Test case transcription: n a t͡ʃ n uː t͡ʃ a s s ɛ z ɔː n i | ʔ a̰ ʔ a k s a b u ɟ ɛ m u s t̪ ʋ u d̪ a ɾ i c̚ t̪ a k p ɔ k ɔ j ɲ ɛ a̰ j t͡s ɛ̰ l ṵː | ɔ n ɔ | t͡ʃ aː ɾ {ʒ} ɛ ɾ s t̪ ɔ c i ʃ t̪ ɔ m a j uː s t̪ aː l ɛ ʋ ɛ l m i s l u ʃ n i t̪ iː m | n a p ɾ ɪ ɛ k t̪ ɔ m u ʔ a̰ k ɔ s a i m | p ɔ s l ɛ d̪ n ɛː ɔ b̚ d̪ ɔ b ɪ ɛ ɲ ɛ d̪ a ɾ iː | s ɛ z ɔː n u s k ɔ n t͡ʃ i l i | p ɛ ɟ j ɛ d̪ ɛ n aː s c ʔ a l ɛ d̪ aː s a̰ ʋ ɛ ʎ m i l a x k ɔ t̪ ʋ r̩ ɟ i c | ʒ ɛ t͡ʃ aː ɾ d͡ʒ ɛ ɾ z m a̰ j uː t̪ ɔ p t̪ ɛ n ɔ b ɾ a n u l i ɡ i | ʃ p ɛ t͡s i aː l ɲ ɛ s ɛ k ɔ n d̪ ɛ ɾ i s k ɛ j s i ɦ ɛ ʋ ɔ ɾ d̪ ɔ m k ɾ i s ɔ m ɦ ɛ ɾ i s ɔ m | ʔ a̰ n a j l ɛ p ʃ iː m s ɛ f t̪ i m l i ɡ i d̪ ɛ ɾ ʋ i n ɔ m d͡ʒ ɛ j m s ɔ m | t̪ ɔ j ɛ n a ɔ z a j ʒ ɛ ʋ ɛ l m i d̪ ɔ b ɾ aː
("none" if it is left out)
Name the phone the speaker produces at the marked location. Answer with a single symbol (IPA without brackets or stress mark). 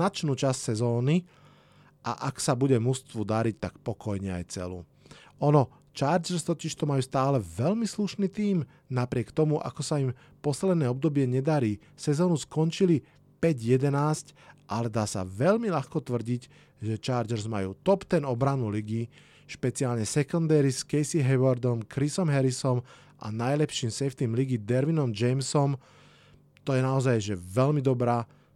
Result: d͡ʒ